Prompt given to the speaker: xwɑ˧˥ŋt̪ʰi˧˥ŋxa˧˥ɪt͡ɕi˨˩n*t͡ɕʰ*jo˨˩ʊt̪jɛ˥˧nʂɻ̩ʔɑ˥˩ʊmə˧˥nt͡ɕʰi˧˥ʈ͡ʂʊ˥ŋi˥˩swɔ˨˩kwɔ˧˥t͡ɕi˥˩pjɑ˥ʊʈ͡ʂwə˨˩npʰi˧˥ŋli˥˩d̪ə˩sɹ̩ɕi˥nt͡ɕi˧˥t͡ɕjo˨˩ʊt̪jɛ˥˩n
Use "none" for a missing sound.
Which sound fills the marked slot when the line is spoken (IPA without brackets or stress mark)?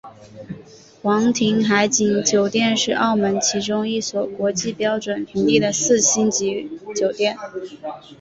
t͡ɕ